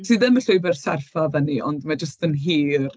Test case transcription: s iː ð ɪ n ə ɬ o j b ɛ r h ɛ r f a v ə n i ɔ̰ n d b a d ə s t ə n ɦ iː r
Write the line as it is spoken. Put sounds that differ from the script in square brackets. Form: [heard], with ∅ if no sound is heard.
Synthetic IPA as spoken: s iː ð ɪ [m] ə ɬ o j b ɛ r [s] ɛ r f a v ə n i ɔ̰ n d [m] a [d͡ʒ] ə s t ə n ɦ iː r